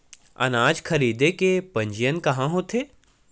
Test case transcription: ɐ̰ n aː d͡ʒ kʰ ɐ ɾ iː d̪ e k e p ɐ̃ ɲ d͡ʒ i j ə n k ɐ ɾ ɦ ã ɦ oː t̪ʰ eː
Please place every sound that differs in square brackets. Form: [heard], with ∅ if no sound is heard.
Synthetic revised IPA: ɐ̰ n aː d͡ʒ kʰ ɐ ɾ iː d̪ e k e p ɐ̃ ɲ d͡ʒ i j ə n k ɐ [∅] ɦ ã ɦ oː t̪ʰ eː